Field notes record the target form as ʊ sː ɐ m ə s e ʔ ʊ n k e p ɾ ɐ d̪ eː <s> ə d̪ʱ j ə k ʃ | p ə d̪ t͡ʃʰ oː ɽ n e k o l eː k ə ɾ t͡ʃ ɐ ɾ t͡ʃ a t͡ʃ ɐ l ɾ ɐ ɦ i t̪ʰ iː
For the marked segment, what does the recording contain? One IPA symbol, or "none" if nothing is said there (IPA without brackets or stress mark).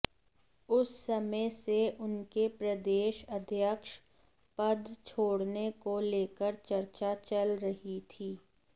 ʃ